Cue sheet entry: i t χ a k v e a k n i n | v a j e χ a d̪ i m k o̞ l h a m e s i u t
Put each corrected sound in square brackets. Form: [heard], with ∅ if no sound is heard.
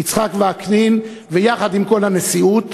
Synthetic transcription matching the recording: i [t͡s] χ a k v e a k n i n | v [e] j [a] χ a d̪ i m k o̞ l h a m e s i u t